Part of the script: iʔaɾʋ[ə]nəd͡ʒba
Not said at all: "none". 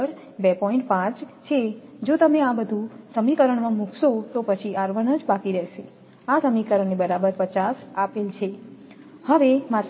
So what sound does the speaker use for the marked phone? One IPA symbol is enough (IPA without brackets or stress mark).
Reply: ə